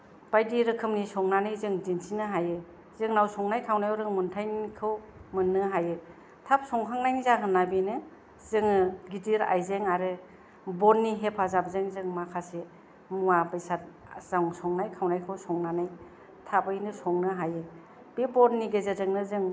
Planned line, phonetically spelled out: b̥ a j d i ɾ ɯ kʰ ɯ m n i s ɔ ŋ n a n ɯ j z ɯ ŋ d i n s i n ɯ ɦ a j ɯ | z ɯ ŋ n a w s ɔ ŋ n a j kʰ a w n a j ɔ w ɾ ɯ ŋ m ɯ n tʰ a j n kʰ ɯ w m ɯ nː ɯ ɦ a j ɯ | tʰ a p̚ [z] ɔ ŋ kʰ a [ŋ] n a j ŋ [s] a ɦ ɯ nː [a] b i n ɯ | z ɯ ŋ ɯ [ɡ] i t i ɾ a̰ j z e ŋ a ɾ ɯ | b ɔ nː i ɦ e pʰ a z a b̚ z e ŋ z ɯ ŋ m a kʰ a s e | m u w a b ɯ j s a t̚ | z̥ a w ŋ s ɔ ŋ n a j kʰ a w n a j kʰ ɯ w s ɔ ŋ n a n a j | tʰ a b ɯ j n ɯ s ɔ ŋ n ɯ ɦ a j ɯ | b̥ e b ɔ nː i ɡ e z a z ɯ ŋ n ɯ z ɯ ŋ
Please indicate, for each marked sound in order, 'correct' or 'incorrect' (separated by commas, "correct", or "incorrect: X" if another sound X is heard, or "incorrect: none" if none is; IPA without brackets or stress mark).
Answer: incorrect: s, correct, incorrect: z, correct, correct